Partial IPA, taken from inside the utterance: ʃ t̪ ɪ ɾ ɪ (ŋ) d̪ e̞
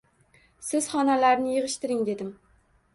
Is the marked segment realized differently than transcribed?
no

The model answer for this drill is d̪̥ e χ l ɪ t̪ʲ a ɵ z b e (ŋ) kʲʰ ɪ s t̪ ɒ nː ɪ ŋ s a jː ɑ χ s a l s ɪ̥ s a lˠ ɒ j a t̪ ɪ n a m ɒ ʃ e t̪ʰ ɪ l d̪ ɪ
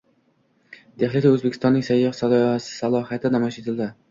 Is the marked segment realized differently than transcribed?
yes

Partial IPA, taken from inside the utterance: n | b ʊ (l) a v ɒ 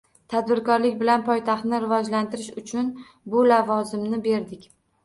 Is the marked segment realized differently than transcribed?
no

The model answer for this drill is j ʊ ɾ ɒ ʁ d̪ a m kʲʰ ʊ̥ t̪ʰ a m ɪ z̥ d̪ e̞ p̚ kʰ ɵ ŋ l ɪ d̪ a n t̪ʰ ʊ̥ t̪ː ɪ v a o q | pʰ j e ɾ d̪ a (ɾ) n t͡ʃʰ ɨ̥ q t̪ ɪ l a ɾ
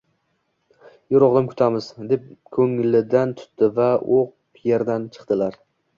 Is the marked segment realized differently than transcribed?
yes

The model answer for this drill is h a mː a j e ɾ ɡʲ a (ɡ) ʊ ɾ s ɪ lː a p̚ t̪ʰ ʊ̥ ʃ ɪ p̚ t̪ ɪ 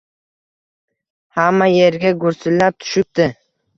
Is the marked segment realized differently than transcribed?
no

